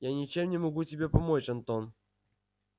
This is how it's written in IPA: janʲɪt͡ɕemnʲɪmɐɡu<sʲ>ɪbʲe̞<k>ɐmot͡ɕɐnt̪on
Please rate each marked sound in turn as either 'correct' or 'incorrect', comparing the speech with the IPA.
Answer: incorrect: tʲ, incorrect: p

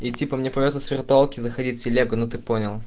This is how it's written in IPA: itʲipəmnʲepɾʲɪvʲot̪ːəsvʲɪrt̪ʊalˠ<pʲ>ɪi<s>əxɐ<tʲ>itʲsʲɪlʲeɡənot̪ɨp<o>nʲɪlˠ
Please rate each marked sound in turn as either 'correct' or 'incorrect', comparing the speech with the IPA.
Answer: incorrect: kʲ, incorrect: z, incorrect: dʲ, correct

